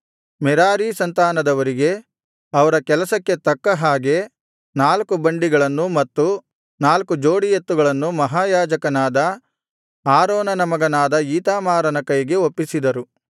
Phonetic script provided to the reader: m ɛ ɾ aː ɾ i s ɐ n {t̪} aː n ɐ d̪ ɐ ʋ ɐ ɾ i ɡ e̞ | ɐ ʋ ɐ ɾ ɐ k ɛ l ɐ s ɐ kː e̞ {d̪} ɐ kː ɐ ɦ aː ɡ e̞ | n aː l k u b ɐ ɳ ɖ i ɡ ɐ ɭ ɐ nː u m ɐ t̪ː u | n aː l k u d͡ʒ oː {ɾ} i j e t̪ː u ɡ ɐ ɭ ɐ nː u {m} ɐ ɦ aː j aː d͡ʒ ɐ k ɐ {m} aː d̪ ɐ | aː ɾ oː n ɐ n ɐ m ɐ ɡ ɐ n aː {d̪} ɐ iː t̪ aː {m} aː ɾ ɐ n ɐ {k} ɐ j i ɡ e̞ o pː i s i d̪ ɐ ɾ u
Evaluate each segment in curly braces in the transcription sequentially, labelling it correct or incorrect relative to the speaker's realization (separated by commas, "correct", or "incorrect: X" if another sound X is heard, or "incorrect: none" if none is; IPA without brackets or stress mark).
correct, incorrect: t̪, incorrect: ɽ, correct, incorrect: n, correct, correct, correct